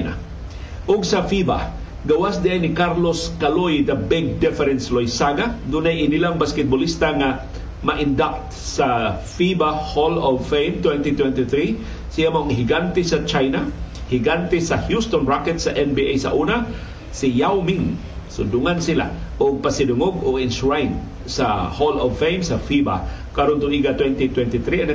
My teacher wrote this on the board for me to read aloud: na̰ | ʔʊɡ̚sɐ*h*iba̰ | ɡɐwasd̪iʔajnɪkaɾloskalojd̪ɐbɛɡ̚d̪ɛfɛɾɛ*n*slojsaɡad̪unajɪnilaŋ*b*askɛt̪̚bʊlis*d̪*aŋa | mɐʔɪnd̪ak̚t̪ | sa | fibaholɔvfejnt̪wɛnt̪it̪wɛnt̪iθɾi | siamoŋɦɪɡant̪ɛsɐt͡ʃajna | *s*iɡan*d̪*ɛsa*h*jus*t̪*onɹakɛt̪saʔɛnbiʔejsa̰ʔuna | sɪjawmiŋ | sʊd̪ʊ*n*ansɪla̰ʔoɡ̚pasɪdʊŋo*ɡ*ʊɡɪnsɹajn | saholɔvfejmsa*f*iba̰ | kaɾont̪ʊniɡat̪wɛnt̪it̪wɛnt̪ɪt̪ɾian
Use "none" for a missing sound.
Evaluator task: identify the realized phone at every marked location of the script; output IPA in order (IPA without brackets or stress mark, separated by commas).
f, n, b, t̪, h, t̪, h, t̪, ŋ, ɡ, f